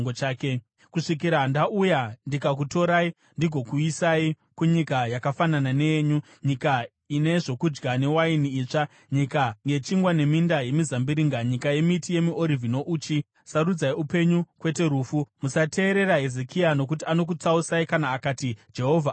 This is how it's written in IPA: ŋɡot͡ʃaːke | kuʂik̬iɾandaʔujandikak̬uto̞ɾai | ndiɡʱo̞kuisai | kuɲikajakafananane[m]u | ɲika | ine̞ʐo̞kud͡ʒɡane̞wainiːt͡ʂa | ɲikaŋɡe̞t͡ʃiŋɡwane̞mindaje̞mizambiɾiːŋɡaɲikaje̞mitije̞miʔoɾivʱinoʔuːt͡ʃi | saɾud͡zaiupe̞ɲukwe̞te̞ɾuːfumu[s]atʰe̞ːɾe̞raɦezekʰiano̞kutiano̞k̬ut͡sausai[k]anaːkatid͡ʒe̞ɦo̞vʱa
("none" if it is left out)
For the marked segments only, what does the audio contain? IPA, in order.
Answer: ɲ, s, k

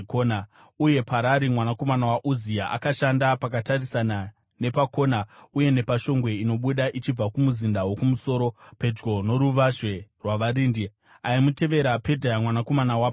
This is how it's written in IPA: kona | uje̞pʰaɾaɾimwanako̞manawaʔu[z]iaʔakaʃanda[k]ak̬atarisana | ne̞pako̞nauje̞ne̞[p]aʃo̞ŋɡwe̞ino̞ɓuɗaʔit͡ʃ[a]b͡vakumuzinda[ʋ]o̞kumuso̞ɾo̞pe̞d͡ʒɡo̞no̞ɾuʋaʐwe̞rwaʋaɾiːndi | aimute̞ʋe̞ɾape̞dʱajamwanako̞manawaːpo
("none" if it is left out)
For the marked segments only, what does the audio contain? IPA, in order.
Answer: z, p, p, i, w

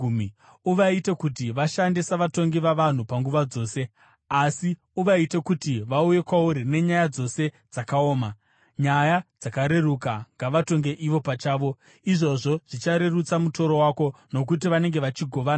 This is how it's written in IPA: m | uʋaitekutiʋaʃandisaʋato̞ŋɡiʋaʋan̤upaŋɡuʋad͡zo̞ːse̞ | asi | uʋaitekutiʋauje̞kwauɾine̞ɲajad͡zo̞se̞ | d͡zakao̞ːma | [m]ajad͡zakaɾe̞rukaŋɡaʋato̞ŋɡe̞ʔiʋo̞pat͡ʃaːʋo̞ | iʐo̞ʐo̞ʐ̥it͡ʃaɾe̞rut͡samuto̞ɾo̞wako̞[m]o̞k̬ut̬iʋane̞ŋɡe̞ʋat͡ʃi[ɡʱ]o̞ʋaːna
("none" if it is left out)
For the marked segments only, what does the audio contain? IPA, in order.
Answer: ɲ, n, ɡʱ

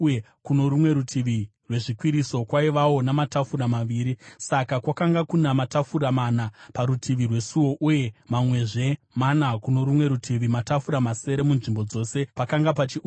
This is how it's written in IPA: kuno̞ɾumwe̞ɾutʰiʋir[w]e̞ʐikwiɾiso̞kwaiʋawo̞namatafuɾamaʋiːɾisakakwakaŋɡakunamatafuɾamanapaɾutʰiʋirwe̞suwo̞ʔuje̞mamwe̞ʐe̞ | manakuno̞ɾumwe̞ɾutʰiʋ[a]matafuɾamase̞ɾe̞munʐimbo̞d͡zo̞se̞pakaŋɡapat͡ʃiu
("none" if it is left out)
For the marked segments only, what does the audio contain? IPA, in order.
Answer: w, i

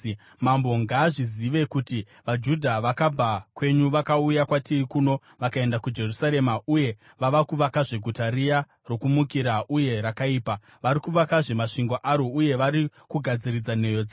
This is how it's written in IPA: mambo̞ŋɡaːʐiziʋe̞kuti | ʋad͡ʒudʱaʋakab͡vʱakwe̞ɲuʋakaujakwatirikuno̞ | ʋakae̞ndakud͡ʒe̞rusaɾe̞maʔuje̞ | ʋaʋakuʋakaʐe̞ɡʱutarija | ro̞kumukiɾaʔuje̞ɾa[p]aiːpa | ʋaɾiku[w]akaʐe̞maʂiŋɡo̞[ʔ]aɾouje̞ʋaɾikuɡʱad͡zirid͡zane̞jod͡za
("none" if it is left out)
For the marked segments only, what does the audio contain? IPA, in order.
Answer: k, ʋ, ʔ

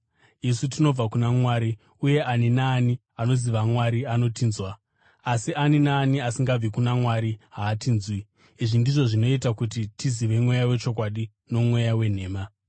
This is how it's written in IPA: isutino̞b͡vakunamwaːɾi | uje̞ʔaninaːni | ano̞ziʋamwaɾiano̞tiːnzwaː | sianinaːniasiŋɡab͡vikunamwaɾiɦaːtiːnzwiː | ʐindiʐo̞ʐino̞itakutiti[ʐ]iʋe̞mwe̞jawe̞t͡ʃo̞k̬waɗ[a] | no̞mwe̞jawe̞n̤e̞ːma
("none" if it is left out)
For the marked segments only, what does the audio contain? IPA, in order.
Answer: z, i

